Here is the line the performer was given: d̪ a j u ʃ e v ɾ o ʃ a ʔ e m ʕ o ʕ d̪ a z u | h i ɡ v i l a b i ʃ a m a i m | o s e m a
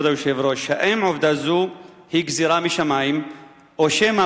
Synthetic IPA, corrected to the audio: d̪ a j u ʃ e v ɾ o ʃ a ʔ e m ʕ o v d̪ a z u | h i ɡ z i ɾ a m i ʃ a m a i m | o ʃ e m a